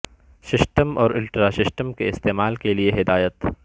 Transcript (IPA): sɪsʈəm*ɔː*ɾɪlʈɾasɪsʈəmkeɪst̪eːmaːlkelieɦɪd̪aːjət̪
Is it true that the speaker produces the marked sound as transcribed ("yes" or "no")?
yes